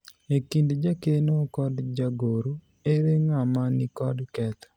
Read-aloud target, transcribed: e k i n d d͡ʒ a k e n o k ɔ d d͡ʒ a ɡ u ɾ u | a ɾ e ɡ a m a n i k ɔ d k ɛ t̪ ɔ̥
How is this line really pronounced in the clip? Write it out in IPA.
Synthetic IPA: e k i n d d͡ʒ a k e n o k ɔ d d͡ʒ a ɡ o ɾ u | e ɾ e ŋ a m a n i k ɔ d k ɛ t̪ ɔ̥